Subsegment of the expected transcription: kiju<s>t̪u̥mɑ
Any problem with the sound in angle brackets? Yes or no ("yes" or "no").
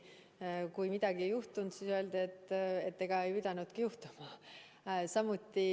yes